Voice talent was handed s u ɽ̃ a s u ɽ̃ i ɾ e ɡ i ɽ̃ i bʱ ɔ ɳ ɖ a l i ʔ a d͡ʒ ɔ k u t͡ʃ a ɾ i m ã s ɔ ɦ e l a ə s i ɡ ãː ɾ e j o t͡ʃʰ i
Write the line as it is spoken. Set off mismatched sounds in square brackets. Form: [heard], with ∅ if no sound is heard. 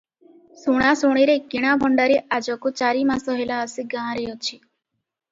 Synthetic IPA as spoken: s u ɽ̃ a s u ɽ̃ i ɾ e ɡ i ɽ̃ [a] bʱ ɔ ɳ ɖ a [ɾ] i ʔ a d͡ʒ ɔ k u t͡ʃ a ɾ i m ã s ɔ ɦ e l a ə s i ɡ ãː ɾ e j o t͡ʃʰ i